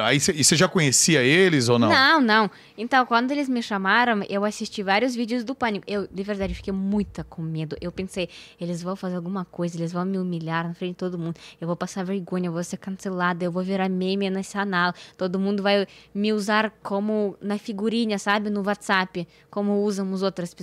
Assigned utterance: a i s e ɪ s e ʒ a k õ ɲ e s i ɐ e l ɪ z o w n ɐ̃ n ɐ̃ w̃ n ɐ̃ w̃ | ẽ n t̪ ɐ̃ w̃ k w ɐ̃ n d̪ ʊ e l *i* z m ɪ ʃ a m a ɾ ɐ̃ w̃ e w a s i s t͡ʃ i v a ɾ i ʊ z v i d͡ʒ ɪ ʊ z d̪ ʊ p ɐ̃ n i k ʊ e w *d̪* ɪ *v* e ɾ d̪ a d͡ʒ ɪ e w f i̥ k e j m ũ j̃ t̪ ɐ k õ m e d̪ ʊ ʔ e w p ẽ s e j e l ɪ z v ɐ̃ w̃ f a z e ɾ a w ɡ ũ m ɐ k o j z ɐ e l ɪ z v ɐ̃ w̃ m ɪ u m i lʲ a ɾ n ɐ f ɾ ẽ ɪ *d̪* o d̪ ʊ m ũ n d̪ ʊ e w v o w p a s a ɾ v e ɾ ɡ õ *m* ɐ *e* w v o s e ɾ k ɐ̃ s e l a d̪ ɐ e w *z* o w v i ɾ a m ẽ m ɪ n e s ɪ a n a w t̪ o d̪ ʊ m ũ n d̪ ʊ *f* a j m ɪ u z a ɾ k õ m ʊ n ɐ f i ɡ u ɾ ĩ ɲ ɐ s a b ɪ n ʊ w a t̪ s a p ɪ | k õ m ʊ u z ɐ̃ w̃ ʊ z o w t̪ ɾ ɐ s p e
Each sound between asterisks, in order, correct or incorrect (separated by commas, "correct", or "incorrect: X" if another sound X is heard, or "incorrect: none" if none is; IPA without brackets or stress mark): incorrect: ɪ, correct, correct, incorrect: t̪, incorrect: ɲ, correct, incorrect: v, incorrect: v